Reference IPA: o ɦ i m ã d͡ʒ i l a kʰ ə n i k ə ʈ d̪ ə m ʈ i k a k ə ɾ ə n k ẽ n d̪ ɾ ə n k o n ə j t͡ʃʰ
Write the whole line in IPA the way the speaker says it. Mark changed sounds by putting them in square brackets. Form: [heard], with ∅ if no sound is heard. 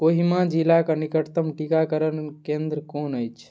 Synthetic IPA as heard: o ɦ i m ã d͡ʒ i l a [k] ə n i k ə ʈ [t̪] ə m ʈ i k a k ə ɾ ə n k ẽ n d̪ ɾ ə [∅] k o n ə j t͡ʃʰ